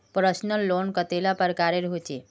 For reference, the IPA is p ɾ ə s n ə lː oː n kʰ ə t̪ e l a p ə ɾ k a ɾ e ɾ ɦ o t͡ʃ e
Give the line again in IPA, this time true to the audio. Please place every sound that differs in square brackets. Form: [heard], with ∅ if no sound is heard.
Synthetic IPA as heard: p ɾ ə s n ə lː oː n [k] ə t̪ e l a p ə ɾ k a ɾ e ɾ ɦ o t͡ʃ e